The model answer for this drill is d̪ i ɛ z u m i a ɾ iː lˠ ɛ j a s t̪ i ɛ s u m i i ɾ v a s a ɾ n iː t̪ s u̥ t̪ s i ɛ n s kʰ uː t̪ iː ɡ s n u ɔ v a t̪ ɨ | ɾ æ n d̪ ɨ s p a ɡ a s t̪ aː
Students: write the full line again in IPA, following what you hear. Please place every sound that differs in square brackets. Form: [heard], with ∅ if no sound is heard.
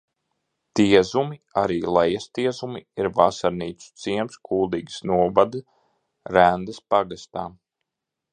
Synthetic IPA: [t̪] i ɛ z u m i a ɾ iː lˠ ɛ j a s t̪ i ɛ [z] u m i i ɾ v a s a ɾ n iː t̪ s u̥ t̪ s i ɛ [m] s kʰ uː [d̪] iː ɡ s n u ɔ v a [d̪] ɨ | ɾ æ n d̪ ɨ s p a ɡ a s t̪ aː